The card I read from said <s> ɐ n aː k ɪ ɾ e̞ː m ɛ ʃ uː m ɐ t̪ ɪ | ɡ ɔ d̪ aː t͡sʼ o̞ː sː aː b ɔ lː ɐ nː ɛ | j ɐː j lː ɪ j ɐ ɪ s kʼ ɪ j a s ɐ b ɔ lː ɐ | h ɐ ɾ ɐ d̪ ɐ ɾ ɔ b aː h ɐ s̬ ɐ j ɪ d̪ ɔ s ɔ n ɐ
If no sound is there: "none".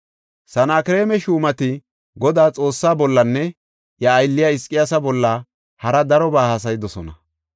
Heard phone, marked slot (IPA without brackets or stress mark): s